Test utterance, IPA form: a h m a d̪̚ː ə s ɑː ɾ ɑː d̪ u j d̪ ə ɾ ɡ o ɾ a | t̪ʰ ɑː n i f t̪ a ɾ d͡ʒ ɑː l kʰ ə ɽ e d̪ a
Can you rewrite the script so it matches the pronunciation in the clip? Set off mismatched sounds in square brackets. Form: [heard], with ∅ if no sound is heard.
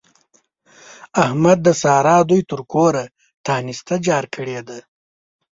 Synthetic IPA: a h m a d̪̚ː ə s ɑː ɾ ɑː d̪ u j [t̪] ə ɾ [k] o ɾ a | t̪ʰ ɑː n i [s] t̪ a [∅] d͡ʒ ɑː [ɾ] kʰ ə ɽ e d̪ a